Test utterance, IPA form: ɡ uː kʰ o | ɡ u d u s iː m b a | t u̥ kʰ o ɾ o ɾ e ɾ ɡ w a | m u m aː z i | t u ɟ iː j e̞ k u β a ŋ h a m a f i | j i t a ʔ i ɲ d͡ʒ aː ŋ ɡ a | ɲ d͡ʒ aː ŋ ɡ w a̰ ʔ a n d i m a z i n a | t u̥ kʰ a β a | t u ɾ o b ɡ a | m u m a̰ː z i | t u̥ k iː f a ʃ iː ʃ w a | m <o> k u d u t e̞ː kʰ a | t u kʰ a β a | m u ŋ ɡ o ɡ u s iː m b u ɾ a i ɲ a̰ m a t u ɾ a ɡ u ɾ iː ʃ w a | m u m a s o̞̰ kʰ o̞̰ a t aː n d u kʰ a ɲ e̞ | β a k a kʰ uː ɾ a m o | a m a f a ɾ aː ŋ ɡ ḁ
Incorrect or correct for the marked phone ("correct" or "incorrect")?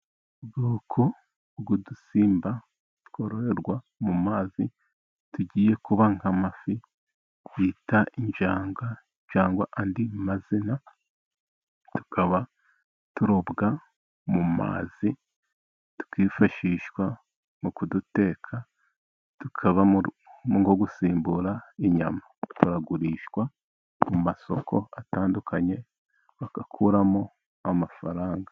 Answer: incorrect